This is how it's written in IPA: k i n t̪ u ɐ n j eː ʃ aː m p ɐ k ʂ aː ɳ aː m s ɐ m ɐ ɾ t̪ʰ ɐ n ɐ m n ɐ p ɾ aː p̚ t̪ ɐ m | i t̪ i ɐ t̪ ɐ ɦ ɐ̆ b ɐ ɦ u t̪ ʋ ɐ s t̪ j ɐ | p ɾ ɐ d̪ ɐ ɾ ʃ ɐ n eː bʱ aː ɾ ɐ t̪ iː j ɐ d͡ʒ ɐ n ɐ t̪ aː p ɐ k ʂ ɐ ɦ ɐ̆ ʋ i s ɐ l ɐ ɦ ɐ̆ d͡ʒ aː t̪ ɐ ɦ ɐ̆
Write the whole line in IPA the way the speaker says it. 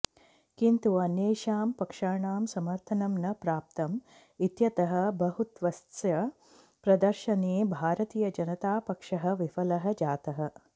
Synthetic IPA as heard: k i n t̪ u ɐ n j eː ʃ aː m p ɐ k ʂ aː ɳ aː m s ɐ m ɐ ɾ t̪ʰ ɐ n ɐ m n ɐ p ɾ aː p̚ t̪ ɐ m | i t̪ j ɐ t̪ ɐ ɦ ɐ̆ b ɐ ɦ u t̪ ʋ ɐ s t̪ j ɐ | p ɾ ɐ d̪ ɐ ɾ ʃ ɐ n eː bʱ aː ɾ ɐ t̪ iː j ɐ d͡ʒ ɐ n ɐ t̪ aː p ɐ k ʂ ɐ ɦ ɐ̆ ʋ i f ɐ l ɐ ɦ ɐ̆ d͡ʒ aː t̪ ɐ ɦ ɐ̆